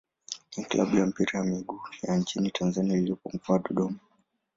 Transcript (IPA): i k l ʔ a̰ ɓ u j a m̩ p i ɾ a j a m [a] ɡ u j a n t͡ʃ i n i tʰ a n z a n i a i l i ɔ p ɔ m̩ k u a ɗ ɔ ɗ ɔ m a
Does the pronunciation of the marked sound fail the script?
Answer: yes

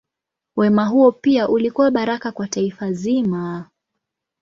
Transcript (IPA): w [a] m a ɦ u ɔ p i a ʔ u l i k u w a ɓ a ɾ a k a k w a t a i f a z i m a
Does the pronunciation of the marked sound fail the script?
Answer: yes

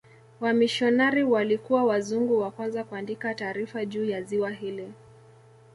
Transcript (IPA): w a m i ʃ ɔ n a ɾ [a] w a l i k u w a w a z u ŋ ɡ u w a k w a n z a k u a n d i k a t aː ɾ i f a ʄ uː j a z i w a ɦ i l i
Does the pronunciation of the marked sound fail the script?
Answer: yes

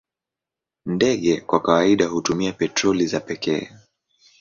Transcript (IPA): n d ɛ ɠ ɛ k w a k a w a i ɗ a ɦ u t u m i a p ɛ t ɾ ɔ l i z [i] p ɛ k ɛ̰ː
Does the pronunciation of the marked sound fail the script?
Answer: yes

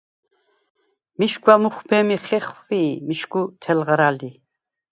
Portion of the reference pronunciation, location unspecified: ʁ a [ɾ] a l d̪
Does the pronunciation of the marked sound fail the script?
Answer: no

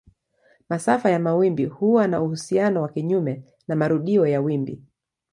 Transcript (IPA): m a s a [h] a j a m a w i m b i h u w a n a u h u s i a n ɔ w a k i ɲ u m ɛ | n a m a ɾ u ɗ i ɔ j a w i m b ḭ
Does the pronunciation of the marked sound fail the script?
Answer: yes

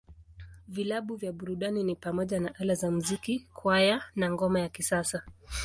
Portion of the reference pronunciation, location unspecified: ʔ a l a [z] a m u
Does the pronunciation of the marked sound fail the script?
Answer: no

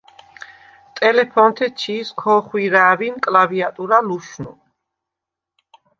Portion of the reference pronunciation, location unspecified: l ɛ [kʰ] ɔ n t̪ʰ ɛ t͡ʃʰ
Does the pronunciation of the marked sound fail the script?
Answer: yes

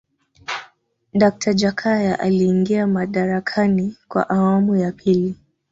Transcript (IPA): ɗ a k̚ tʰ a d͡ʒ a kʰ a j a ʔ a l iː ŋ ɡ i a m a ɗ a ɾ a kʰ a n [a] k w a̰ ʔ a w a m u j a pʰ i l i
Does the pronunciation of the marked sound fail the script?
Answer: yes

